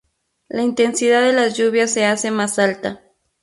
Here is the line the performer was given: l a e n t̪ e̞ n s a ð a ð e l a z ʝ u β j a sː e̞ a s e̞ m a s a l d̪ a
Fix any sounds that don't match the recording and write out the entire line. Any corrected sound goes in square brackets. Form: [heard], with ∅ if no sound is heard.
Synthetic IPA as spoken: l a [i] n t̪ e̞ n s [i] ð a ð e l a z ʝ u β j a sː e̞ a s e̞ m a s a l [t̪] a